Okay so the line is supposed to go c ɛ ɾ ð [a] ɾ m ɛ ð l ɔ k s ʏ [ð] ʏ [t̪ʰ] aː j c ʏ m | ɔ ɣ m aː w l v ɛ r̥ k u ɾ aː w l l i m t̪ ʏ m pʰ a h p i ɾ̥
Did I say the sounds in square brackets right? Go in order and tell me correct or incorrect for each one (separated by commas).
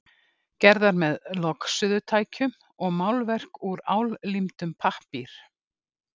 correct, correct, correct